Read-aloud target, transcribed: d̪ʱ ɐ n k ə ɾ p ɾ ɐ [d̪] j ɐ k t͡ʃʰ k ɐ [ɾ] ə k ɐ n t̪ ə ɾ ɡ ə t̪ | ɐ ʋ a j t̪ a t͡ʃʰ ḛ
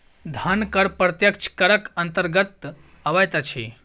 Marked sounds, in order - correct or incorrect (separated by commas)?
incorrect, correct